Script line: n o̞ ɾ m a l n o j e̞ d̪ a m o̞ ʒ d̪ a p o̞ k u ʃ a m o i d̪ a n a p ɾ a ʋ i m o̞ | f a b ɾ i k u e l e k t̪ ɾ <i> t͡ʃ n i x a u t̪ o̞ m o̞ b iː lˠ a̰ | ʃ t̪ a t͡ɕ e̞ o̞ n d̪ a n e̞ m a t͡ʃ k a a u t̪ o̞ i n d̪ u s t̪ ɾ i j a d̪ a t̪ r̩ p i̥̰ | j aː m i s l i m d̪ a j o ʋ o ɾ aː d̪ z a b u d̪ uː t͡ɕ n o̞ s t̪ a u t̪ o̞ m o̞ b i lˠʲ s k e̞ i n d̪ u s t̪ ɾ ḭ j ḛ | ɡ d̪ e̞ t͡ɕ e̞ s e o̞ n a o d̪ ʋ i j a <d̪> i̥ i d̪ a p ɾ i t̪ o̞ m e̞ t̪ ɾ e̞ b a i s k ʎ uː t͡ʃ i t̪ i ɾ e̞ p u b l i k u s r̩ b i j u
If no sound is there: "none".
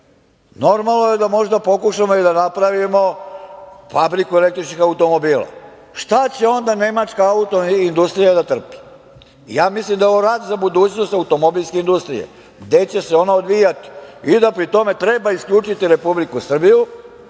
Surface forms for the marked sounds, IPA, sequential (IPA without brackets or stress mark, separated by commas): i, t̪